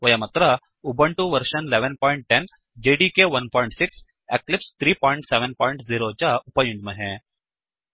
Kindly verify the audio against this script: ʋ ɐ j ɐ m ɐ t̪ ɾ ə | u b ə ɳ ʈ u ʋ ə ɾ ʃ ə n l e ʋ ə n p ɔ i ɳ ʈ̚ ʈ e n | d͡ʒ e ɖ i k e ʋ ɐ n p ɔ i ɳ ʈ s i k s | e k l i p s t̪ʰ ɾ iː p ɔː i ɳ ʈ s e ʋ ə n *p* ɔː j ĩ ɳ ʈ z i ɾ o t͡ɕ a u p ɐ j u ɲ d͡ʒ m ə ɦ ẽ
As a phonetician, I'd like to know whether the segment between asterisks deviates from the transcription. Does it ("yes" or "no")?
no